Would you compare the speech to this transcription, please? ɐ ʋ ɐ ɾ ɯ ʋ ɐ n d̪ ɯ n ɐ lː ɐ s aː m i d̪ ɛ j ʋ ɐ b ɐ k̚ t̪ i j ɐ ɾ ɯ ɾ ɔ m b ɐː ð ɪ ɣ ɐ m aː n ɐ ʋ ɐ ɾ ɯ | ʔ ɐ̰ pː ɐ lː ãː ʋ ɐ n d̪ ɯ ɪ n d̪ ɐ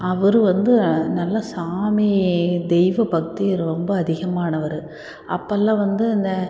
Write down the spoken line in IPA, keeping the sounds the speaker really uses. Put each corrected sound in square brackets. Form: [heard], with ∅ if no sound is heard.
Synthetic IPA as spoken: ɐ ʋ ɐ ɾ ɯ ʋ ɐ n d̪ ɯ n ɐ lː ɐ s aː m i d̪ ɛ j ʋ ɐ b ɐ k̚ t̪ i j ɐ ɾ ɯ ɾ ɔ m b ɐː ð ɪ ɣ ɐ m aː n ɐ ʋ ɐ ɾ ɯ | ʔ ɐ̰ pː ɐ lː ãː ʋ ɐ n d̪ ɯ ɪ n d̪ ɐ